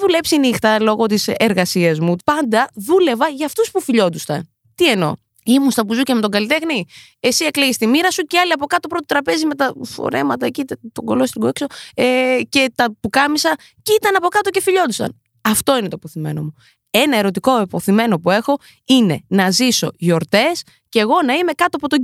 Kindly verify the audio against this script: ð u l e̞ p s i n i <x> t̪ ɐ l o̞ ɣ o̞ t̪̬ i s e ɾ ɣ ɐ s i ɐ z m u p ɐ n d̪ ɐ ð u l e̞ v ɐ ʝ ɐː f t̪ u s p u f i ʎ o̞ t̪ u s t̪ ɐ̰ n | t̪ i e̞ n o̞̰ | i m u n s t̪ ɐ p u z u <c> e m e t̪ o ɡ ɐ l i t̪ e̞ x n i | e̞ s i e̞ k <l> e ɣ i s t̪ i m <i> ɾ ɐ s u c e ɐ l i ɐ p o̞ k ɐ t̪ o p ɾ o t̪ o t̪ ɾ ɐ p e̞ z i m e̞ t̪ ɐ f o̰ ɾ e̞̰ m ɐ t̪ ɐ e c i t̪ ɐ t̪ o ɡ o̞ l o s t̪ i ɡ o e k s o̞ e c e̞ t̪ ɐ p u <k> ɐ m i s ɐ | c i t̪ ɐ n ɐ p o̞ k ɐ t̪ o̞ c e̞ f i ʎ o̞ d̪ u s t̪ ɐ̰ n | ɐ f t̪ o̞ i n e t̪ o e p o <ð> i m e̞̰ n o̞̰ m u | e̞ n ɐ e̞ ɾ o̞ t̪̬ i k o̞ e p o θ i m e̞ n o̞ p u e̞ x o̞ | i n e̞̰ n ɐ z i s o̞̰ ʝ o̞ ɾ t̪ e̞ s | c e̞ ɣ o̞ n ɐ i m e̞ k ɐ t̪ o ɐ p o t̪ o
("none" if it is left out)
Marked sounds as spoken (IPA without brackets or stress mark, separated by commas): x, c, l, i, k, θ